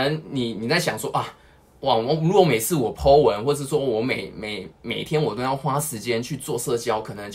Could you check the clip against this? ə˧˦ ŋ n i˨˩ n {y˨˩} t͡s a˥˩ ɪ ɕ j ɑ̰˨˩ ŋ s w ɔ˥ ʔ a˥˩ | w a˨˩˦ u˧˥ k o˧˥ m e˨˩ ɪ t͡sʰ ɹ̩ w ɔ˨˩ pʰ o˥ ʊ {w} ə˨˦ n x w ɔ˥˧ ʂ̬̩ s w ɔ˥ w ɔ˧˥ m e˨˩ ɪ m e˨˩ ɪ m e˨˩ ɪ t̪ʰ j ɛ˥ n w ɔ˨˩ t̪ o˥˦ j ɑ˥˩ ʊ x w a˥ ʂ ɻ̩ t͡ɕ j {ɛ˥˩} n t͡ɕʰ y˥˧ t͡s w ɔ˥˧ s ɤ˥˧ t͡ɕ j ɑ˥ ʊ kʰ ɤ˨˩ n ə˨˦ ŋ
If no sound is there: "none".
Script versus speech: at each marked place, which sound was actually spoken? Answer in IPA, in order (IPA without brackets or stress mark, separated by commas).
i˨˩, w, ɛ˥˦